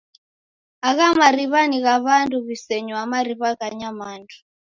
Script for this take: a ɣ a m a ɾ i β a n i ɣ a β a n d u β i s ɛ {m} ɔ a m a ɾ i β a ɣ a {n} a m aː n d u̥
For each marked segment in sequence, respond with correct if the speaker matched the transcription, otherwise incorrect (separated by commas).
incorrect, incorrect